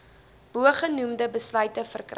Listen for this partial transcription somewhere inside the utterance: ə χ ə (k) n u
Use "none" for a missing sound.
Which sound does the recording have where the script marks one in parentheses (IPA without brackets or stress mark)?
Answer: none